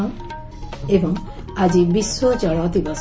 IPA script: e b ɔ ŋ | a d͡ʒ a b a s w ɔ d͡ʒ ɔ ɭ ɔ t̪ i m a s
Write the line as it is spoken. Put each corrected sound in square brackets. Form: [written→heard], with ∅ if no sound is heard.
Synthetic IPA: e b ɔ ŋ | a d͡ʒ [a→i] b [a→i] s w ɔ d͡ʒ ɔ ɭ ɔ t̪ i [m→b] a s